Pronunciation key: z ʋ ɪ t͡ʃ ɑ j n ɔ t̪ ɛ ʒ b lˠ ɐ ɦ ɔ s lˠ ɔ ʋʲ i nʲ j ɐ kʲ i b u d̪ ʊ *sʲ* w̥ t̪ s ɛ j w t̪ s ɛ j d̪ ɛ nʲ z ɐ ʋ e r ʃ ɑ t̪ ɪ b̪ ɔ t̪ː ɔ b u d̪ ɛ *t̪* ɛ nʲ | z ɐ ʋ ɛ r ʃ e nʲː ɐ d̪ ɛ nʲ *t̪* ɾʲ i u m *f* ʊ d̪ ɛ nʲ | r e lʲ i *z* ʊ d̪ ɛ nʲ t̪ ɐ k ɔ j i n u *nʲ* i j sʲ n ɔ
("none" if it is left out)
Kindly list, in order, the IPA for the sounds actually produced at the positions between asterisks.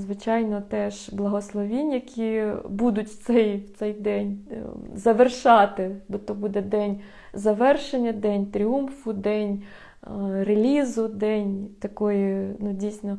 tʲ, d̪, t̪, f, z, dʲ

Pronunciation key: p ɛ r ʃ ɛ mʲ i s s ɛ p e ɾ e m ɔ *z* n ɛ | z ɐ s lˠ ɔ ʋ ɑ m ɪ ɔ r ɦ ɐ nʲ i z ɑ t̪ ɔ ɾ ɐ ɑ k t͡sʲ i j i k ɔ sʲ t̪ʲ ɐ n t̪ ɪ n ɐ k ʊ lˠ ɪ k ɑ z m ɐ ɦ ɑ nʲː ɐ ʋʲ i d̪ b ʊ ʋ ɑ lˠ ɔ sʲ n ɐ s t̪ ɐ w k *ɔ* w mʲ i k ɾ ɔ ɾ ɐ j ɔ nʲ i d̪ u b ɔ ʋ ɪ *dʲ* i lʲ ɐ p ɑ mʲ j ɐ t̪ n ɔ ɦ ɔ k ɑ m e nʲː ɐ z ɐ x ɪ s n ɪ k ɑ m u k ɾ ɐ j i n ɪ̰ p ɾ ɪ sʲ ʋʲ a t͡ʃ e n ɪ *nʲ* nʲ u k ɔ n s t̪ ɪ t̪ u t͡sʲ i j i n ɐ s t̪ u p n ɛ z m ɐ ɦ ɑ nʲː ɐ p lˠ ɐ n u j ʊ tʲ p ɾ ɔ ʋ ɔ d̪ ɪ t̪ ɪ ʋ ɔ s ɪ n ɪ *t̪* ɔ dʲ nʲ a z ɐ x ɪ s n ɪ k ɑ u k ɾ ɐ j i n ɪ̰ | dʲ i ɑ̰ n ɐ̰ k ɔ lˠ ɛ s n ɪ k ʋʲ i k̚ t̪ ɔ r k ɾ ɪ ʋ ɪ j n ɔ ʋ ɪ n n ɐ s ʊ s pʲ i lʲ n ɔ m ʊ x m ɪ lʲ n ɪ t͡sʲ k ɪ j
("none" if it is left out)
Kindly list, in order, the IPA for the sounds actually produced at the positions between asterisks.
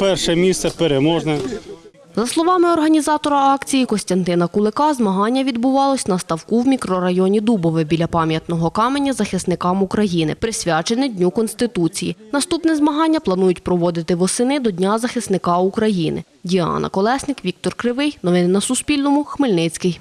ʒ, u, bʲ, dʲ, d̪

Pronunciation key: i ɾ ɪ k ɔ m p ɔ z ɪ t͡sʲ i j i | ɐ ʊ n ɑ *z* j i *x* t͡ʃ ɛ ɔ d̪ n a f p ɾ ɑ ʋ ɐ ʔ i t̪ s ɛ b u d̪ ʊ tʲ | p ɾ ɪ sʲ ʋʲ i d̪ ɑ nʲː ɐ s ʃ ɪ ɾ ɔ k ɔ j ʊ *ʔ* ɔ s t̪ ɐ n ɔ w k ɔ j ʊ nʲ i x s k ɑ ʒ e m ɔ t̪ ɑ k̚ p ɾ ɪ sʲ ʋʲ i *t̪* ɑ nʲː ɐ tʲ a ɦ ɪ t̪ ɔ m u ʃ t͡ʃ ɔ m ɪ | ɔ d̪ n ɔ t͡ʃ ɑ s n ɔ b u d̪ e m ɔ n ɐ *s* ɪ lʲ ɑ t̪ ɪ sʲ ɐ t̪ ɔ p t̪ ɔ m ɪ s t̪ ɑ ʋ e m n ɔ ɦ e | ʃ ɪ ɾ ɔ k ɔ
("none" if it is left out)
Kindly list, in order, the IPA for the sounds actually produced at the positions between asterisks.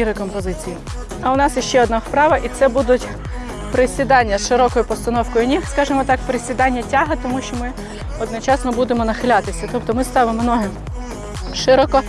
s, ʃ, p, d̪, x

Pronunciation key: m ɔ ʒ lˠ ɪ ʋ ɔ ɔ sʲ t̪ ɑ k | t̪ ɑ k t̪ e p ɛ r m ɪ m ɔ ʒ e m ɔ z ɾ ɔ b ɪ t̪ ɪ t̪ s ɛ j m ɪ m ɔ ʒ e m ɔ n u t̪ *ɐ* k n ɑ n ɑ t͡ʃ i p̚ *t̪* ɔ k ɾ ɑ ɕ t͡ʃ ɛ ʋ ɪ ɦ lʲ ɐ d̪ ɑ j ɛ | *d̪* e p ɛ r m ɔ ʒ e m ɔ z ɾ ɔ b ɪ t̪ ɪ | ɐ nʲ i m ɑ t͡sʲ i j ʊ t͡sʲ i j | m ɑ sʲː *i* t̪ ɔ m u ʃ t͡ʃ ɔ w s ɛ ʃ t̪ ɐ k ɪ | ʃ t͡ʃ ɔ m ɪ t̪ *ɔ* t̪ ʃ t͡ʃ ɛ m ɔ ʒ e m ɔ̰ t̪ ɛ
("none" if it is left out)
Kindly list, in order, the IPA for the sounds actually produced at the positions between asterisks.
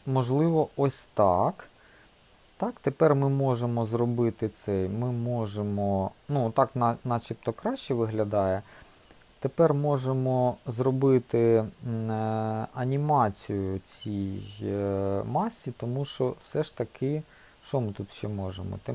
ɑ, t̪, t̪, i, u

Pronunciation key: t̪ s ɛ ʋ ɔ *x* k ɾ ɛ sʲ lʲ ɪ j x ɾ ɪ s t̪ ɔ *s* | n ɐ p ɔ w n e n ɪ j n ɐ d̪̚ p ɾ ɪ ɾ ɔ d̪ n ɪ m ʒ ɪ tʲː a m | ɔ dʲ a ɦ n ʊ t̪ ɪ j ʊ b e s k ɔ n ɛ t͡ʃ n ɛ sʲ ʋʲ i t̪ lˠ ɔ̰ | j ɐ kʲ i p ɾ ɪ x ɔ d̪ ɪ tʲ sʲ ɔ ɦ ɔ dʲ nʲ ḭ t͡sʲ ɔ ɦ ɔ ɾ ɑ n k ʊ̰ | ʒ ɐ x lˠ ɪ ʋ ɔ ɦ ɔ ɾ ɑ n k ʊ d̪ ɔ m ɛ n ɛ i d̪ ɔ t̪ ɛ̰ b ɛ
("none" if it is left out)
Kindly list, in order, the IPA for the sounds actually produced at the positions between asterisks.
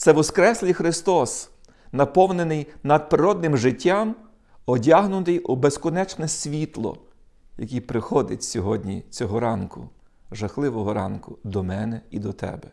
s, s

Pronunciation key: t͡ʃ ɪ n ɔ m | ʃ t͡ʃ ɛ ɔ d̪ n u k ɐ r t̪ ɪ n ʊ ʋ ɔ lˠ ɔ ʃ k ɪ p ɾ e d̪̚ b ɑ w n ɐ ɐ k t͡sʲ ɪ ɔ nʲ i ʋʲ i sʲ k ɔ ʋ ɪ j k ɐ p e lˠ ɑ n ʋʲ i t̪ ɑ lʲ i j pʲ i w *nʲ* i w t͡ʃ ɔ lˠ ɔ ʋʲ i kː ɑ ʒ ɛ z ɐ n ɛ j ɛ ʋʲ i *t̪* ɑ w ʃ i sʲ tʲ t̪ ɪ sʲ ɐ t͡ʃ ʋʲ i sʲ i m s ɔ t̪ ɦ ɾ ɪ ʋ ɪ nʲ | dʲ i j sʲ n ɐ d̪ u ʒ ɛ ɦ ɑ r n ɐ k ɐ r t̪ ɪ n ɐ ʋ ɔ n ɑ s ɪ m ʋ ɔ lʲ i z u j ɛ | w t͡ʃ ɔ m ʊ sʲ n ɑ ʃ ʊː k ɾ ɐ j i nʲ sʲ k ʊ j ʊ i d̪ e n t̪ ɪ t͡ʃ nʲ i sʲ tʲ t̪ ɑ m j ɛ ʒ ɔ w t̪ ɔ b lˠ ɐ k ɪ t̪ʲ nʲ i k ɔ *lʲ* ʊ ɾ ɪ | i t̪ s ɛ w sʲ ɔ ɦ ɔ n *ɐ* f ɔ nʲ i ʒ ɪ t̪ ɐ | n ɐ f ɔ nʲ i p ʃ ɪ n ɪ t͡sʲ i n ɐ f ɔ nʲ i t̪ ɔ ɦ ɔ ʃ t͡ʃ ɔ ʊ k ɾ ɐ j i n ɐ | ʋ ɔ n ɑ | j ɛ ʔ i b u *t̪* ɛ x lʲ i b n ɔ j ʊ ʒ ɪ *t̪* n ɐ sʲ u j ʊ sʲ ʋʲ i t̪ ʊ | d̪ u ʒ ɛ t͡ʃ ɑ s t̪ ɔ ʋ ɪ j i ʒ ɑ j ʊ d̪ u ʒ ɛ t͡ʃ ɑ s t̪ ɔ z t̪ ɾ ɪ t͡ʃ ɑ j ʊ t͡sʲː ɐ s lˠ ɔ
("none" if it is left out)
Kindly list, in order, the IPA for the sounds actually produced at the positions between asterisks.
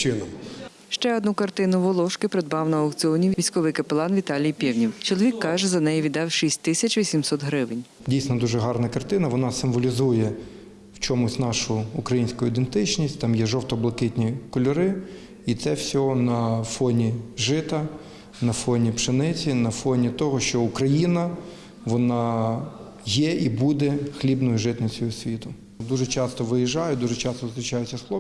nʲ, d̪, lʲ, ɐ, d̪, t̪

